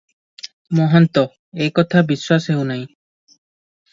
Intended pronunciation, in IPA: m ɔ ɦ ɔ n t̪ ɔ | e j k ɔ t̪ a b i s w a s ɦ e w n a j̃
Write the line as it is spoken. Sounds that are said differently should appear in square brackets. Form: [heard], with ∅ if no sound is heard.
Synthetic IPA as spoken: m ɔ ɦ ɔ n t̪ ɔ | e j k ɔ [t̪ʰ] a b i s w a s ɦ e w n a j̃